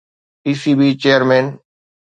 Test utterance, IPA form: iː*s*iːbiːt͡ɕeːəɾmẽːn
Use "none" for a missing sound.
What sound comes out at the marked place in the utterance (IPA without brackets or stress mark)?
s